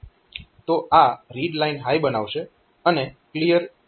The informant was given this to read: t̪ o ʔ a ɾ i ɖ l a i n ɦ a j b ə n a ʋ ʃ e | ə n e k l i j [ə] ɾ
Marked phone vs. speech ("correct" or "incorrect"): correct